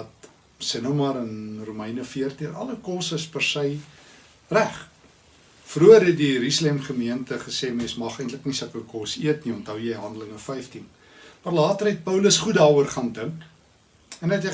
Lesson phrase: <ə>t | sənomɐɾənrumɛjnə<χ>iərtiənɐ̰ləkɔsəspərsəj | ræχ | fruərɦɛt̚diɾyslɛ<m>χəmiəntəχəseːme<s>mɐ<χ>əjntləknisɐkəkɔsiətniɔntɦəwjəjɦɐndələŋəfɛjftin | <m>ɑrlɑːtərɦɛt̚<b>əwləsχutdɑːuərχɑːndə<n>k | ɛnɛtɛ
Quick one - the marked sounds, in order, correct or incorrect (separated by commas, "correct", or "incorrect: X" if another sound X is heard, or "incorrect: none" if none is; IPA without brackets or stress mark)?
incorrect: ɐ, incorrect: f, correct, correct, correct, correct, incorrect: p, incorrect: ŋ